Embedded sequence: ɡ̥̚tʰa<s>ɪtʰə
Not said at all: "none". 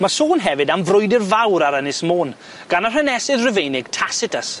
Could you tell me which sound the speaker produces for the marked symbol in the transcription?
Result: s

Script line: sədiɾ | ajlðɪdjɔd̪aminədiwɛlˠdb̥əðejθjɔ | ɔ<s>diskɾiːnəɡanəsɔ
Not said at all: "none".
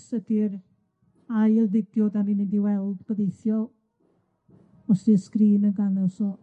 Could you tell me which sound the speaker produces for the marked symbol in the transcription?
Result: s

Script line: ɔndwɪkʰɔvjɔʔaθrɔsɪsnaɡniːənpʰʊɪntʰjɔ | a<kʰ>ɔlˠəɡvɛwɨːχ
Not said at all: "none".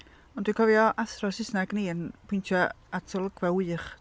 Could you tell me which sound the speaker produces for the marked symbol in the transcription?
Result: tʰ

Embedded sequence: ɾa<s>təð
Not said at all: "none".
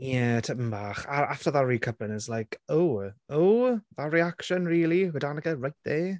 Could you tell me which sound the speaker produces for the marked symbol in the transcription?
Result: f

